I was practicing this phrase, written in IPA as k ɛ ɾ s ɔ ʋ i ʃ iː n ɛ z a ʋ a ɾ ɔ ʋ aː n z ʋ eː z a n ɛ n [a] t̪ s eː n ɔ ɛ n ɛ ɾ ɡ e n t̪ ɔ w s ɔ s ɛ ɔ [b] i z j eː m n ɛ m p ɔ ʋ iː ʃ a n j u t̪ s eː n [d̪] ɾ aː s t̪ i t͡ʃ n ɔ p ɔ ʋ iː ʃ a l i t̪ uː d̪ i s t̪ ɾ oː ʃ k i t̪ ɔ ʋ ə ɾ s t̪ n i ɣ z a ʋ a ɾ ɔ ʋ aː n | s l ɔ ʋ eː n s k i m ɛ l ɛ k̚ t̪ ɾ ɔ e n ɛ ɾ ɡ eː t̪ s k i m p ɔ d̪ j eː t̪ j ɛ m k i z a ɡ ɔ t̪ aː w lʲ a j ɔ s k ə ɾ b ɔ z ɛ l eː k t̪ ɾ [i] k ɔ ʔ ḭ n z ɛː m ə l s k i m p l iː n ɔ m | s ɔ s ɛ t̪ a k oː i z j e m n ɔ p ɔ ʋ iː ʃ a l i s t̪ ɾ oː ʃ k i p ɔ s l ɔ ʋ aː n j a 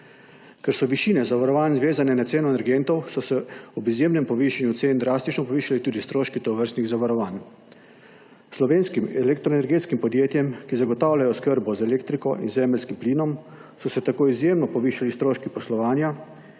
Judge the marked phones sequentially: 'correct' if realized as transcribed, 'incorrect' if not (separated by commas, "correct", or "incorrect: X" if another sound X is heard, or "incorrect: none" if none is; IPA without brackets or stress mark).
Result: correct, correct, correct, correct